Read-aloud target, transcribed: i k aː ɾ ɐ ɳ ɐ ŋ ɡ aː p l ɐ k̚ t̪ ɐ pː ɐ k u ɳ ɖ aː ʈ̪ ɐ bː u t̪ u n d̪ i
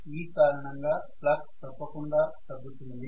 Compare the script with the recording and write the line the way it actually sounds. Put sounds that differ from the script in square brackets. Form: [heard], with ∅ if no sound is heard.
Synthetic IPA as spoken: [iː] k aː ɾ ɐ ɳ ɐ ŋ ɡ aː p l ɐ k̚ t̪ ɐ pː ɐ k u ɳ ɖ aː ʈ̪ ɐ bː u t̪ u n d̪ i